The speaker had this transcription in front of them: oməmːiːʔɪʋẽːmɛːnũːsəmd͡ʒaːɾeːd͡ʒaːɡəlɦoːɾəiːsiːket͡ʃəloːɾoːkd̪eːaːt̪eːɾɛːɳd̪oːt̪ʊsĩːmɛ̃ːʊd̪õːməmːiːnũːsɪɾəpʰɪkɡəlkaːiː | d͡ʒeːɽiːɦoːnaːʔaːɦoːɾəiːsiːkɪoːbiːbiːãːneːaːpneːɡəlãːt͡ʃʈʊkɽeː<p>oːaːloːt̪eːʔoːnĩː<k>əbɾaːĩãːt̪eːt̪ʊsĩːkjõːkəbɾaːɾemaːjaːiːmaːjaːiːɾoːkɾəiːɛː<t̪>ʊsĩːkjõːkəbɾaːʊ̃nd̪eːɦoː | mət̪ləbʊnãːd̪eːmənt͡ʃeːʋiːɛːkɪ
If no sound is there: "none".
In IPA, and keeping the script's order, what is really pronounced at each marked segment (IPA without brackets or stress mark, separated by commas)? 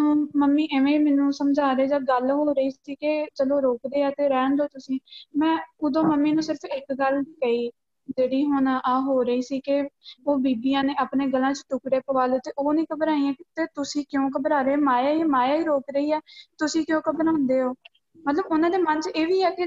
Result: p, k, t̪